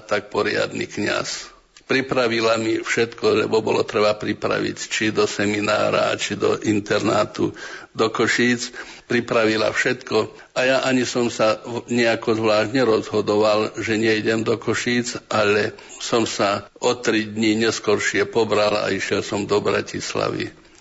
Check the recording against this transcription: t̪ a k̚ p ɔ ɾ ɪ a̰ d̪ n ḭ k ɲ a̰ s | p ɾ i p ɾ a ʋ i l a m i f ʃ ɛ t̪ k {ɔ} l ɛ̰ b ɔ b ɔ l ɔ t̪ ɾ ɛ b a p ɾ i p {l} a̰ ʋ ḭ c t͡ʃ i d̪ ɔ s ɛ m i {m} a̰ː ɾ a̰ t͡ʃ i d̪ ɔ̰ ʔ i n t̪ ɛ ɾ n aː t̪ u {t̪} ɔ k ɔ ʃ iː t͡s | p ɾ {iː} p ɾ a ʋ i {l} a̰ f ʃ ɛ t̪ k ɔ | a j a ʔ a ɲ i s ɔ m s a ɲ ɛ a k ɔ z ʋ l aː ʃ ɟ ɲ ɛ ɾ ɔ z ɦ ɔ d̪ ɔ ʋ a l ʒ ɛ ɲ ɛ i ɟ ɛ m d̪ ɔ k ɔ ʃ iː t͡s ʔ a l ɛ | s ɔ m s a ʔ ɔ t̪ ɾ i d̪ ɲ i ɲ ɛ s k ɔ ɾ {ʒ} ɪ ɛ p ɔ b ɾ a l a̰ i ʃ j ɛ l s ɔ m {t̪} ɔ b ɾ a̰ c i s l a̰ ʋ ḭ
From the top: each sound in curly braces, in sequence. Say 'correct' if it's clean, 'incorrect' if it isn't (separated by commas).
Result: correct, incorrect, incorrect, incorrect, incorrect, correct, incorrect, incorrect